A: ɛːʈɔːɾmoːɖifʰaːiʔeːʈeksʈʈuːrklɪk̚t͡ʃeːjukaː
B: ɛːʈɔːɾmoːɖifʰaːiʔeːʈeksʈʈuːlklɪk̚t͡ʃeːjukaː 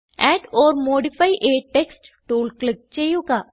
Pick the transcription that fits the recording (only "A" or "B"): B